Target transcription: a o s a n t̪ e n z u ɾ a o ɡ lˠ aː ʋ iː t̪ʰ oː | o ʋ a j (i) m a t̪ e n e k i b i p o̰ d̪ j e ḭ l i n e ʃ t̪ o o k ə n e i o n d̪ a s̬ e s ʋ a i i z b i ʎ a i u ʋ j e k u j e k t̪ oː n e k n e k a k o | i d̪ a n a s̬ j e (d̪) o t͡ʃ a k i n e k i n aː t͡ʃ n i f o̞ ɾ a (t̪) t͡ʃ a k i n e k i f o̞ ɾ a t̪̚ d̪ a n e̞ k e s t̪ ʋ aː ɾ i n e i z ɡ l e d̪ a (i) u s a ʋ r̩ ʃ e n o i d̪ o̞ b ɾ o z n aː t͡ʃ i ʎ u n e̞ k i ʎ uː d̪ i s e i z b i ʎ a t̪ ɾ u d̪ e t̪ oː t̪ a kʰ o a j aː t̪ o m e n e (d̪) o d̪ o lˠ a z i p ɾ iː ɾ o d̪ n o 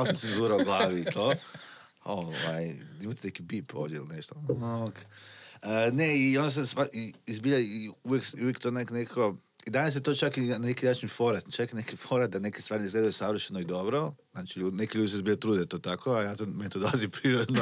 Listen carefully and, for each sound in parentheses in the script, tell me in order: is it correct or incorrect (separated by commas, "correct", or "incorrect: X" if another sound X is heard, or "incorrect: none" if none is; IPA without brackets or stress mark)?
correct, incorrect: t̪, correct, incorrect: j, incorrect: t̪